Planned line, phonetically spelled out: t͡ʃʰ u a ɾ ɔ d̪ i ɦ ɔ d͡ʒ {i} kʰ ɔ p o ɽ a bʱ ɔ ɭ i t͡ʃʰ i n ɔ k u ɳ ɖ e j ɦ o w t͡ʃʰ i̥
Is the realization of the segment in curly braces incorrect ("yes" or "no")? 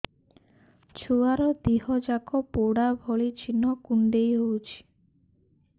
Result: yes